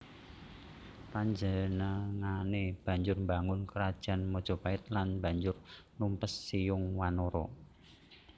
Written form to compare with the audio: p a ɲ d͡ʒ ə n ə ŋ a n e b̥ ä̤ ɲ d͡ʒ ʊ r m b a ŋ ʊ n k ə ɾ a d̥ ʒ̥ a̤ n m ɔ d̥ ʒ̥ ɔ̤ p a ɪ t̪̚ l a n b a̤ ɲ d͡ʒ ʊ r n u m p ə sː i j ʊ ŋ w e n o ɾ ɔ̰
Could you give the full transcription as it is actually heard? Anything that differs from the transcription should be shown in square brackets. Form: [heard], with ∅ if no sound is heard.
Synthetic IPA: p a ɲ d͡ʒ ə n ə ŋ a n e b̥ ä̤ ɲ d͡ʒ ʊ r m b a ŋ ʊ n k ə ɾ a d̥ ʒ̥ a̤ n m ɔ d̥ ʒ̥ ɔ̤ p a ɪ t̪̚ l a n b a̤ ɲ d͡ʒ ʊ r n u m p ə sː i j ʊ ŋ w [a] n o ɾ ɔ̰